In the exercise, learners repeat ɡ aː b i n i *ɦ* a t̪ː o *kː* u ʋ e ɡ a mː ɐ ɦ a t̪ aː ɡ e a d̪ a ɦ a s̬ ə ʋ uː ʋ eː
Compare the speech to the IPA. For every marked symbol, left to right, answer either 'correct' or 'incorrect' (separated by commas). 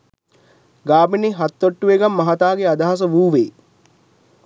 correct, incorrect